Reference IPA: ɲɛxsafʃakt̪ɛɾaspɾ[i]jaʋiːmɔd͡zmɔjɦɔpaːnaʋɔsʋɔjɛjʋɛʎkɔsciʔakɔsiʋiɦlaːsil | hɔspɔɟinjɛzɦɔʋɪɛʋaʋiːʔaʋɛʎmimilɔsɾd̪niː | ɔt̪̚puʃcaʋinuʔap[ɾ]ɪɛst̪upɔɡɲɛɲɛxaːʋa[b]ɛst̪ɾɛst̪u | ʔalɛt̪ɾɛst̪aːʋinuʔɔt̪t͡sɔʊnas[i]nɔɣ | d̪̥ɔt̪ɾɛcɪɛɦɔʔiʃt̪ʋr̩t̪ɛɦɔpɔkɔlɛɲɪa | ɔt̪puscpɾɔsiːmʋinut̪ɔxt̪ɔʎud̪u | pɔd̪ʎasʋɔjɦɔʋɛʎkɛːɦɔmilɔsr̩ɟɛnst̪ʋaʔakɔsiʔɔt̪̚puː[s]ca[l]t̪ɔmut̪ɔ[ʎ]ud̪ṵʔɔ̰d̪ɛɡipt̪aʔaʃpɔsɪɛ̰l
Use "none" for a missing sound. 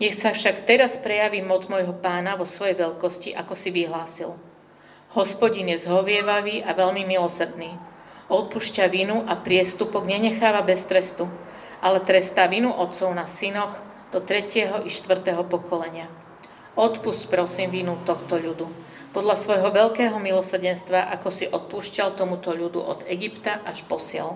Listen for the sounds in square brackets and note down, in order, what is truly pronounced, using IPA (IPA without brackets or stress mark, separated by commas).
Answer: ɛ, ɾ, b, i, ʃ, l, ʎ